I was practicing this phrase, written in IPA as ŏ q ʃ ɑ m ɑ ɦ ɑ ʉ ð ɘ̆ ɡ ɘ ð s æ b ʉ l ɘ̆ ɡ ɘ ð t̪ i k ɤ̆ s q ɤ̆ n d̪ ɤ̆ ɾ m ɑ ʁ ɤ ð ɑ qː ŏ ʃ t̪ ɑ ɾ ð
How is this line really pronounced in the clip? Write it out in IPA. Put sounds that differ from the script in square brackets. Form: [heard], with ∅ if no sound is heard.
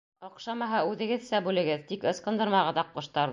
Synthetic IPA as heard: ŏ q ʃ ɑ m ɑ ɦ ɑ ʉ ð ɘ̆ ɡ ɘ ð s æ b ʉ l ɘ̆ ɡ ɘ ð t̪ i k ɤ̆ s q ɤ̆ n d̪ ɤ̆ ɾ m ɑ ʁ ɤ ð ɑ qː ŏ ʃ t̪ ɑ ɾ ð